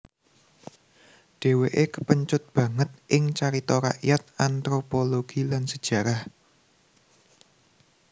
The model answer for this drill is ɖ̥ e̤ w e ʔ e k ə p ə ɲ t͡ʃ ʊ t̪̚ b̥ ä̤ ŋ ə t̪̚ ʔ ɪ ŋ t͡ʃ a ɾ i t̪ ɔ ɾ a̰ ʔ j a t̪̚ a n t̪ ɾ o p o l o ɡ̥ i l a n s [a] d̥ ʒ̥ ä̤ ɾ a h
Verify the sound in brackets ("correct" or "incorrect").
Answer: incorrect